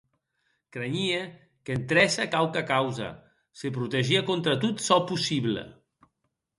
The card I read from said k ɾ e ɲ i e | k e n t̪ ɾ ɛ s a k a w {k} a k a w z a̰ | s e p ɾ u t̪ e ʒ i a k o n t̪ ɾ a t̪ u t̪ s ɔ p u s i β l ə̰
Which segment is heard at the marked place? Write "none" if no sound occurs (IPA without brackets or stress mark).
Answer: k